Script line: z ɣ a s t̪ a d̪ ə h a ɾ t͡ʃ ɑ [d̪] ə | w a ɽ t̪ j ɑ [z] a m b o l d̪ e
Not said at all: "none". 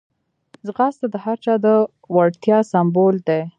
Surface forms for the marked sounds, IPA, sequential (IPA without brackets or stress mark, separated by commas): d̪, s